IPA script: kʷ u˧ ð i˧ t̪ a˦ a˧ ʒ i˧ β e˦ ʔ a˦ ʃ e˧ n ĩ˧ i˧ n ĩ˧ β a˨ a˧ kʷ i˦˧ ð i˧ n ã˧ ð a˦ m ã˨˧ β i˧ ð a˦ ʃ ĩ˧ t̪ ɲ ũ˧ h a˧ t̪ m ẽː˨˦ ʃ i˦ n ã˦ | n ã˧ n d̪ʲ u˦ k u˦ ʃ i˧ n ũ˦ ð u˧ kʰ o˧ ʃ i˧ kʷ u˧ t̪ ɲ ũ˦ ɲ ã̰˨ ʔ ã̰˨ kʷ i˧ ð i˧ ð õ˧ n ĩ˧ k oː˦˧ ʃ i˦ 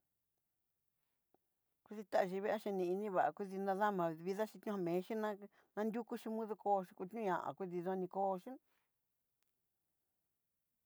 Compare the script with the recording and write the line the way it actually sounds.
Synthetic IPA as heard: kʷ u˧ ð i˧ t̪ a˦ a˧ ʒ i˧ β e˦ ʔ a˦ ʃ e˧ n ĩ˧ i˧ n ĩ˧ β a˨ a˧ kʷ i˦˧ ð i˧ n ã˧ ð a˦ m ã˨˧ β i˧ ð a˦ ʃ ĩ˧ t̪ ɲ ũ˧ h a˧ m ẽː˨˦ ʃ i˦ n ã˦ | n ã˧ n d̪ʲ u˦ k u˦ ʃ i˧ m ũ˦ ð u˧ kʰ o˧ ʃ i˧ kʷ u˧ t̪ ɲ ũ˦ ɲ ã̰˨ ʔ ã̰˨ kʷ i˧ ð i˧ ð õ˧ n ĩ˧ k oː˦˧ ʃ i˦